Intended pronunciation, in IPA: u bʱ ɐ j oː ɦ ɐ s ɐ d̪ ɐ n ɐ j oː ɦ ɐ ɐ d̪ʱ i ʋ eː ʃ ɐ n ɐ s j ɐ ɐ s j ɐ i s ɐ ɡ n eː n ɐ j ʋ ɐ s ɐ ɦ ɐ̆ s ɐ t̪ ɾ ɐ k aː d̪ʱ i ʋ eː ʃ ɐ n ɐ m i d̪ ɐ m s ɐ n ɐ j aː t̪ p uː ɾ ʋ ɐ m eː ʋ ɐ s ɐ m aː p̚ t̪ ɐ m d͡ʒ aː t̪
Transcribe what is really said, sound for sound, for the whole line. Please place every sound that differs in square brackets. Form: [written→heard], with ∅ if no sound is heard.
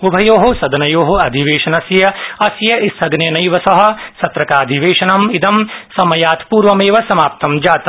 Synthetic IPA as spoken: u bʱ ɐ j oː ɦ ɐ s ɐ d̪ ɐ n ɐ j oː ɦ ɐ ɐ d̪ʱ i ʋ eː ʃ ɐ n ɐ s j ɐ ɐ s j ɐ i s ɐ ɡ n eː n ɐ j ʋ ɐ s ɐ ɦ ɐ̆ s ɐ t̪ ɾ ɐ k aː d̪ʱ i ʋ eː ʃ ɐ n ɐ m i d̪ ɐ m s ɐ [n→m] ɐ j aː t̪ p uː ɾ ʋ ɐ m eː ʋ ɐ s ɐ m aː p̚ t̪ ɐ m d͡ʒ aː t̪